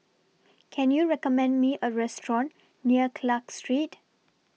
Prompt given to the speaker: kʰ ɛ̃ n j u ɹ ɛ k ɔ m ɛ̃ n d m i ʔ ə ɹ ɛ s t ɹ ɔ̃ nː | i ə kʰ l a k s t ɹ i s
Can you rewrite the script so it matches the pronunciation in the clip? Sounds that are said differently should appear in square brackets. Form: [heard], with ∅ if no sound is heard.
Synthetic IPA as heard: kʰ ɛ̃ n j u ɹ ɛ k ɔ m ɛ̃ n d m i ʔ ə ɹ ɛ s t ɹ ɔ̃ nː | i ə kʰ l a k s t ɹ i [t]